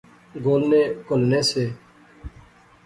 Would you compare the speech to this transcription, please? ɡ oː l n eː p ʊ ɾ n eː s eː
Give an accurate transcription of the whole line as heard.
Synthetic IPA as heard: ɡ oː l n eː k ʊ l n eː s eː